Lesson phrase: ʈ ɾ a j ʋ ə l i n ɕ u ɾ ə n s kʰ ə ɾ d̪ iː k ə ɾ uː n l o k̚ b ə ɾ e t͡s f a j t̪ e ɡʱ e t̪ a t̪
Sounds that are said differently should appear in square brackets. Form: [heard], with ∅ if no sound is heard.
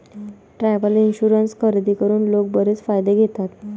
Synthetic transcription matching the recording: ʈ ɾ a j ʋ ə l i n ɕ u ɾ ə n s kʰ ə ɾ d̪ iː k ə ɾ uː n l o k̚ b ə ɾ e t͡s f a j [d̪] e ɡʱ e t̪ a t̪